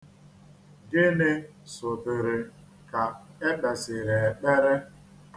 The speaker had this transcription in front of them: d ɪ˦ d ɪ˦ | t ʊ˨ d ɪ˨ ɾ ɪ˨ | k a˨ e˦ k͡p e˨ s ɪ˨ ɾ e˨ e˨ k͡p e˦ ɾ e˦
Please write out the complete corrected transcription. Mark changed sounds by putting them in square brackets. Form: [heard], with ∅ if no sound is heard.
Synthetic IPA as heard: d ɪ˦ [n] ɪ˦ | [s] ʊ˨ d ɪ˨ ɾ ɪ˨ | k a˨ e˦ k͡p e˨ s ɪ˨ ɾ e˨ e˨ k͡p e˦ ɾ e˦